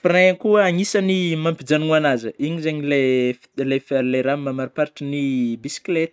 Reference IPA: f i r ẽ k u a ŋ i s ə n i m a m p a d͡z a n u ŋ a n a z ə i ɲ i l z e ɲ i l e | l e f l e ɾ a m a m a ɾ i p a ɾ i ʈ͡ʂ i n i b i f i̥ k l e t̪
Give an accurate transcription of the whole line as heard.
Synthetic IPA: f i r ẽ k u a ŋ i s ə n i m a m p i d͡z a n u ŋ a n a z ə i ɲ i z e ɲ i l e | l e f l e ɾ a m a m a ɾ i p a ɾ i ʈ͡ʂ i n i b i s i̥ k l e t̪